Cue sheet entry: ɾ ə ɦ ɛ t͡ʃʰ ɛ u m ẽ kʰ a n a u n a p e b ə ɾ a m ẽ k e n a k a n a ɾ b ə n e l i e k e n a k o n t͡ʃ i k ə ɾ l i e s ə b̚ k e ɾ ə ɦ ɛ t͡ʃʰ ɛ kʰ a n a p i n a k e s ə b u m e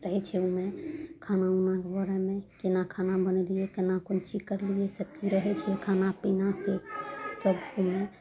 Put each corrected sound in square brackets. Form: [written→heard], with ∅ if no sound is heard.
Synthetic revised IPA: ɾ ə ɦ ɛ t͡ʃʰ ɛ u m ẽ kʰ a n a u n a [p→k] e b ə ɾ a m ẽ k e n a [k→kʰ] a n a [ɾ→∅] b ə n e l i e k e n a k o n t͡ʃ i k ə ɾ l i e s ə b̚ k [e→i] ɾ ə ɦ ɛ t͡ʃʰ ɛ kʰ a n a p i n a k e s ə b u m e